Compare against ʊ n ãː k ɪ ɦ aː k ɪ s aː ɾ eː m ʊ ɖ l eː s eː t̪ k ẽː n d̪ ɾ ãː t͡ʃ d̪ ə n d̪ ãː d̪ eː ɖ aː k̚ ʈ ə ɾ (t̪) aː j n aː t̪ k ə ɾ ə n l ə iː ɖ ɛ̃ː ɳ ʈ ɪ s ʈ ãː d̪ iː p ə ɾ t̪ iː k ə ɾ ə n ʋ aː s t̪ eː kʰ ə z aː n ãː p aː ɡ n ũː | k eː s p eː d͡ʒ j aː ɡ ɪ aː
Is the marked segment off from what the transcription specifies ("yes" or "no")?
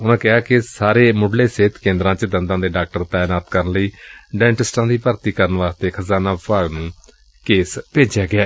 no